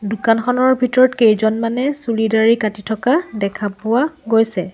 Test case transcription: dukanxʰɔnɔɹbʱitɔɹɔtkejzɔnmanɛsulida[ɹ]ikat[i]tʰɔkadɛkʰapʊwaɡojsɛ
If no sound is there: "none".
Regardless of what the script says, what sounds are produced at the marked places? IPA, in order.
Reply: ɹ, i

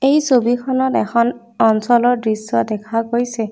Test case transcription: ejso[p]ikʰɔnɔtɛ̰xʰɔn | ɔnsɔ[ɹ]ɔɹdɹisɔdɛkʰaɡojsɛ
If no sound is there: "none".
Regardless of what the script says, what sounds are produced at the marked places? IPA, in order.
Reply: b, l

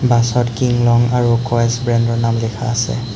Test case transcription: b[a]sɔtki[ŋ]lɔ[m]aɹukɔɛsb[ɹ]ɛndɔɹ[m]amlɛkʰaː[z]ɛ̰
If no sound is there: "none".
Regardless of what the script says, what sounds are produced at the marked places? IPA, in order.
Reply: a, ŋ, ŋ, ɹ, n, s

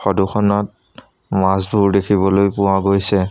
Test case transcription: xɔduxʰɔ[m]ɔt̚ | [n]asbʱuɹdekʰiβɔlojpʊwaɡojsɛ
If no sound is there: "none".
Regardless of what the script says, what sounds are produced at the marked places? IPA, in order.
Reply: n, m

